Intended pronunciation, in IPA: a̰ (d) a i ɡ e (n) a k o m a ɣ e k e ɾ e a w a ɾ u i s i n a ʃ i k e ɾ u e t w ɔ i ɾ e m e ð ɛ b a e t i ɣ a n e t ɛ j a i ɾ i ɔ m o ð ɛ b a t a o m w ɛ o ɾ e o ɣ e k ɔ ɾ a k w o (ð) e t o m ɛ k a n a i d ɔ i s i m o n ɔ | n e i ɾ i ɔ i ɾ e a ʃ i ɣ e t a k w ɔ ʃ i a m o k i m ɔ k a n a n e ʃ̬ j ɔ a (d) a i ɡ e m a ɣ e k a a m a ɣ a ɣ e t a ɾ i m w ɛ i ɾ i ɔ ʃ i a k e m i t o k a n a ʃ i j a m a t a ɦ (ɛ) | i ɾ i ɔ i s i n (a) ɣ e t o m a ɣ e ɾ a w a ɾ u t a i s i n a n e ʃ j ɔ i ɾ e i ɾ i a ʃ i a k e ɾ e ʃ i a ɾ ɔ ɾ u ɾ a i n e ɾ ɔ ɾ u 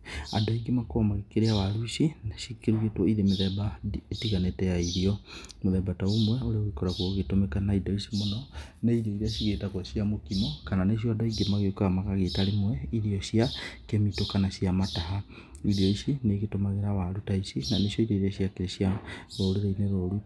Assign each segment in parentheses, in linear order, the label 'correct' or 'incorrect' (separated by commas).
correct, incorrect, incorrect, correct, incorrect, incorrect